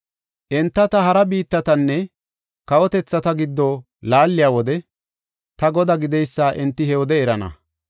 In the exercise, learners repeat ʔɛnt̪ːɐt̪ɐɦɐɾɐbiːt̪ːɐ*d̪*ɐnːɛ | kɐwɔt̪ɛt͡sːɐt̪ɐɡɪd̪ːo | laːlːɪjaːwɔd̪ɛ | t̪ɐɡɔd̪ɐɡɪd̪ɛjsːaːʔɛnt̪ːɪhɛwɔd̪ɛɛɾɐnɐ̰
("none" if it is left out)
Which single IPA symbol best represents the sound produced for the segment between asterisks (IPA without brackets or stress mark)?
t̪